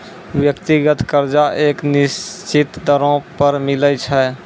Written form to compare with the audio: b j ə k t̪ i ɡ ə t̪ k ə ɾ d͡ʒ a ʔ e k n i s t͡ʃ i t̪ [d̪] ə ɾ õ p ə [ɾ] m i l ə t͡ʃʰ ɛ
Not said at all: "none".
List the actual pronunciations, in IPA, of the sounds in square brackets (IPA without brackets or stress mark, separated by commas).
d̪, ɾ